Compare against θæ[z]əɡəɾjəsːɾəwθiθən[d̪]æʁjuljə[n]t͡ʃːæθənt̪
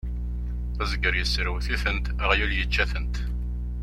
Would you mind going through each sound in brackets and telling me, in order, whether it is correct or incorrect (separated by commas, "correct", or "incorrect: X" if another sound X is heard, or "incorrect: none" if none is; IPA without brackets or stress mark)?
correct, incorrect: t̪, incorrect: none